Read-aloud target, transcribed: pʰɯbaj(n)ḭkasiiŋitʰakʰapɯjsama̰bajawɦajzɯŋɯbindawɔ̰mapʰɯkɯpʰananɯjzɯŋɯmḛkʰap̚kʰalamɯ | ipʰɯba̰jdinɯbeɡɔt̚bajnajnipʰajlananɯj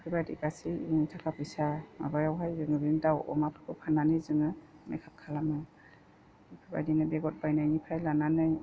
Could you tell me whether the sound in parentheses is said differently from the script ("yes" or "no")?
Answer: yes